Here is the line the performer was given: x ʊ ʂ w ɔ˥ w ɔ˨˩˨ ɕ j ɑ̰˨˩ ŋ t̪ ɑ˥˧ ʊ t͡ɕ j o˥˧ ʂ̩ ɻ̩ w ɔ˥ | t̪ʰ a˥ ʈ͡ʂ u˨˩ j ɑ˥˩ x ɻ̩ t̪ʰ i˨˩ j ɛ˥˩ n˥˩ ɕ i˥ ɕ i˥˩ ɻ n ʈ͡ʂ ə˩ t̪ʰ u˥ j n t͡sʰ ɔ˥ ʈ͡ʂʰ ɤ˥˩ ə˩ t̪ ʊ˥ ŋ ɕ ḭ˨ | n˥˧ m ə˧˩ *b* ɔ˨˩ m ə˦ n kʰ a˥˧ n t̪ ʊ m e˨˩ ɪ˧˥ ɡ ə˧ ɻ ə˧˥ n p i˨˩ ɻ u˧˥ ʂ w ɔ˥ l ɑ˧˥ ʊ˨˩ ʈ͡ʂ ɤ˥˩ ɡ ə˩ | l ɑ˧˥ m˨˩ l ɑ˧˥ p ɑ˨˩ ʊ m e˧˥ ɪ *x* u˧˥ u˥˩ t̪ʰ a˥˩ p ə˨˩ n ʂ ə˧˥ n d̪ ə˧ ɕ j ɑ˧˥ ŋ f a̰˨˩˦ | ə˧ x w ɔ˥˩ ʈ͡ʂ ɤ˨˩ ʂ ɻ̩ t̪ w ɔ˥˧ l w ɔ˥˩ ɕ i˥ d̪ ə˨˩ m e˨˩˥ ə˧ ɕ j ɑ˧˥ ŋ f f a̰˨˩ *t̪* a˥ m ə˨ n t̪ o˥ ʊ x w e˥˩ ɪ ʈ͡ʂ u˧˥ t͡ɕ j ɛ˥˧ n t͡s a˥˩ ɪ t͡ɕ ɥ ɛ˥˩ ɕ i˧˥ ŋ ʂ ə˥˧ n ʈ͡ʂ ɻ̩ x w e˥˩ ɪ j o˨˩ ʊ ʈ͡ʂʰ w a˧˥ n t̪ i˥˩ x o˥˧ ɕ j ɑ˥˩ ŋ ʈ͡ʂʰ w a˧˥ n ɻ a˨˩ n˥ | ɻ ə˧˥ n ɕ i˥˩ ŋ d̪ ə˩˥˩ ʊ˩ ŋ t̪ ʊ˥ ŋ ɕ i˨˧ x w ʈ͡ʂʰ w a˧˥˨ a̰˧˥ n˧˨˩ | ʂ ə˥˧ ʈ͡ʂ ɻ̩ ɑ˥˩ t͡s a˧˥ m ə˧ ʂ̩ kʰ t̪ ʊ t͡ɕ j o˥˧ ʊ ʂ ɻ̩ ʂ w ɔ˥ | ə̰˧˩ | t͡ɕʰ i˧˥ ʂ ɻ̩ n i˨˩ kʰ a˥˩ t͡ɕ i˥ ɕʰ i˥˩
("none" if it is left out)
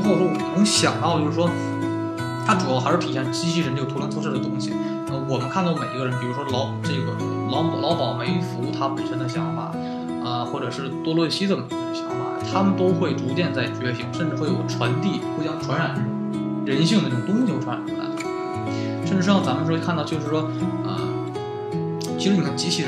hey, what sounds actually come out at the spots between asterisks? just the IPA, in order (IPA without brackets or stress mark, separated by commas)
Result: w, f, t̪ʰ